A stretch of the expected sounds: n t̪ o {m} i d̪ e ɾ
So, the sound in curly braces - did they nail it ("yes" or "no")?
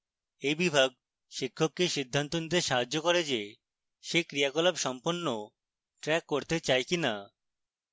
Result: no